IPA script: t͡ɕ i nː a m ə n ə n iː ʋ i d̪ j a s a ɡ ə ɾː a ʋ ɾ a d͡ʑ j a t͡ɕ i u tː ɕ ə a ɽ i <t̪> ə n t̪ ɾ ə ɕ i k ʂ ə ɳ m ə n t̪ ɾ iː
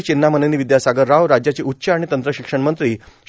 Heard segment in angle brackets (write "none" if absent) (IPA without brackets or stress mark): t̪